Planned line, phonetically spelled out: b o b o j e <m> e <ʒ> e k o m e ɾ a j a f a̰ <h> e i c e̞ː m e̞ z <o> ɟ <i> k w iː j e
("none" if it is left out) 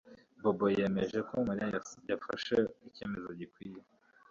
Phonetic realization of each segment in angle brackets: m, ʒ, ʃ, o, i

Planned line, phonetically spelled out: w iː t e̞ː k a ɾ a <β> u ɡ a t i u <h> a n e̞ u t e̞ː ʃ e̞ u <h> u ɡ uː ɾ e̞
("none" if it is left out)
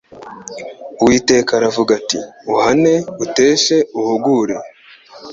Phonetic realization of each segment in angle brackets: v, h, h

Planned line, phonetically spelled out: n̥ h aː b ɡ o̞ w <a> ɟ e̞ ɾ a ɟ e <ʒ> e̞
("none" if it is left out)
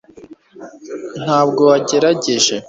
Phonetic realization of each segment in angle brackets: a, ʒ

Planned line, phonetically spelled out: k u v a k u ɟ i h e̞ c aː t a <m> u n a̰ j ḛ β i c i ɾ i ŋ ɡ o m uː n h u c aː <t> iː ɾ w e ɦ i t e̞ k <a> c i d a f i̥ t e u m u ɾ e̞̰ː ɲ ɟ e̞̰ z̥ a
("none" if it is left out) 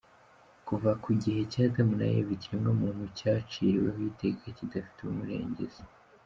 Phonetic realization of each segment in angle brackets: m, t͡ʃ, a

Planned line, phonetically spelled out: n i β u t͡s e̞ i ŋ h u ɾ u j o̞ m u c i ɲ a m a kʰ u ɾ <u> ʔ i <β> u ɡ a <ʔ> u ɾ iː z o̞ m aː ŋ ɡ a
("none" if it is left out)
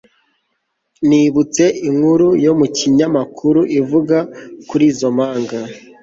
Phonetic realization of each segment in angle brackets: u, v, k

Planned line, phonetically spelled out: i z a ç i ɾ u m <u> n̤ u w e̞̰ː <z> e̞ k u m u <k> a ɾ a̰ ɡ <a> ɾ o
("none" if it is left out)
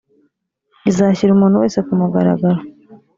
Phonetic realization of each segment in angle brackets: uː, s, ɡ, a

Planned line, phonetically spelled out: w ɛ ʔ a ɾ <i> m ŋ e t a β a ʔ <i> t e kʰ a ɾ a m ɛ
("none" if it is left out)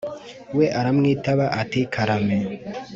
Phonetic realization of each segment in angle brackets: a, a

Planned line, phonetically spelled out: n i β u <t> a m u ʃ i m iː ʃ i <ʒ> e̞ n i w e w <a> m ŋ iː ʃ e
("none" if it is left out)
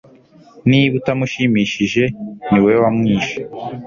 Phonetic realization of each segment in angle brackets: t, ʒ, a

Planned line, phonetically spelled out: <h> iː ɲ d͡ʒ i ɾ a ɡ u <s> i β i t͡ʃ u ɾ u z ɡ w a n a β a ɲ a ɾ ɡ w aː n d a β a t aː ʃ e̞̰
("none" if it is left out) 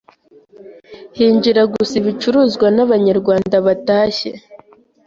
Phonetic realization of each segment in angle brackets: h, s

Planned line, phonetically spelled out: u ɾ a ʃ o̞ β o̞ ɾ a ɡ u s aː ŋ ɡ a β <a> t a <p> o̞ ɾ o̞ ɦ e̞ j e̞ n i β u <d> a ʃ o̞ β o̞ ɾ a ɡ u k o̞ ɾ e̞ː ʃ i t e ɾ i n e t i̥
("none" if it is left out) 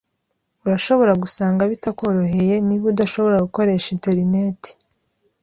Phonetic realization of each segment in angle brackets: i, k, d

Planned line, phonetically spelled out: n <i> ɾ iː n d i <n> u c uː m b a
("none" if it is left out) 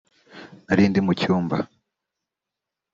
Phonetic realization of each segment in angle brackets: a, m

